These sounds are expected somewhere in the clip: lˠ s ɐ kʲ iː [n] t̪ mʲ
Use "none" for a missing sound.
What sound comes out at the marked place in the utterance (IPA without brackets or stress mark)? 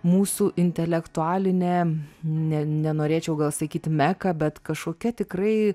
none